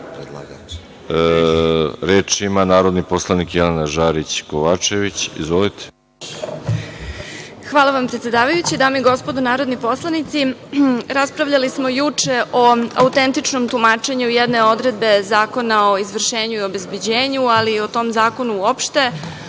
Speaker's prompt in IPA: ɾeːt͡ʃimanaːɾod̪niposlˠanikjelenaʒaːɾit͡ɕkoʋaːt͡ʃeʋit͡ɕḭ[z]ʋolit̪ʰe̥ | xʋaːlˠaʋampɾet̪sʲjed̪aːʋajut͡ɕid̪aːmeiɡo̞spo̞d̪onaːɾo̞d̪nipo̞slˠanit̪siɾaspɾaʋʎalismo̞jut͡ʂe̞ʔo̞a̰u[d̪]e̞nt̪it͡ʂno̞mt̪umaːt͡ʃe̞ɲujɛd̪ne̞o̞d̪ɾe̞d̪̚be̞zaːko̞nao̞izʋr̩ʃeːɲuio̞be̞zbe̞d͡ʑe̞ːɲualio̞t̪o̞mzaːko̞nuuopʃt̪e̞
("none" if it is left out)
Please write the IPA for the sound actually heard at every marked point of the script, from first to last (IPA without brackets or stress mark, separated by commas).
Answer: z, t̪